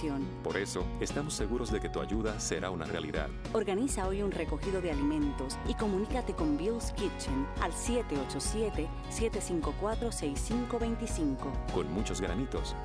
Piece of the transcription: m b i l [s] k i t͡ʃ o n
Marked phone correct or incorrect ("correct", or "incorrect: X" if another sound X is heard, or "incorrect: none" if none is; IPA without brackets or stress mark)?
correct